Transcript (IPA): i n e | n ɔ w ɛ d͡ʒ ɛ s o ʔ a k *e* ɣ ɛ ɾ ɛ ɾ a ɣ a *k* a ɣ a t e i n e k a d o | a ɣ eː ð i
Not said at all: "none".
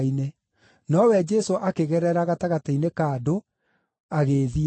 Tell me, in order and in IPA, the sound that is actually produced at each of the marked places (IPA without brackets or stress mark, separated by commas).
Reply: e, t